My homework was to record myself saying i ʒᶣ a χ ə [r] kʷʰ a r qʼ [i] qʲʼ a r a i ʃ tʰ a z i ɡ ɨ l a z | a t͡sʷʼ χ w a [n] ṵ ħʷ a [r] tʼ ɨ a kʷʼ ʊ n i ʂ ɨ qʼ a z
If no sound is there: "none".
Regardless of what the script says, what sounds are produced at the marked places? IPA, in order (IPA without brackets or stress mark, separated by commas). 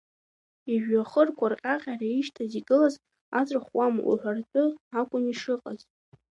r, a, m, r